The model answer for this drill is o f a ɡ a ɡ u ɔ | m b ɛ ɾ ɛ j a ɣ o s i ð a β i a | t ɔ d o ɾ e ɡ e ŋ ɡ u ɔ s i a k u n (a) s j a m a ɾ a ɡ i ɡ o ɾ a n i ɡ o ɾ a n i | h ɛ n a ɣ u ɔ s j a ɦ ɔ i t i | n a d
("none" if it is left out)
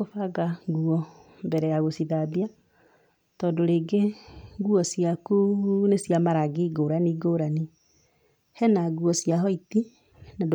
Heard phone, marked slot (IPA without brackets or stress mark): e